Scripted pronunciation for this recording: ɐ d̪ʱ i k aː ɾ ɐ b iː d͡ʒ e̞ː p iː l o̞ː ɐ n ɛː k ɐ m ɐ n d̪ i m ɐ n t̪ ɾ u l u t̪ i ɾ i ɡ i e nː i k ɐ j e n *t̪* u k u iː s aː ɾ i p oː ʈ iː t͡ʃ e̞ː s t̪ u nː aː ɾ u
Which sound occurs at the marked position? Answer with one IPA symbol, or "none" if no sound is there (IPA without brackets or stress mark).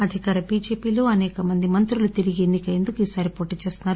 d̪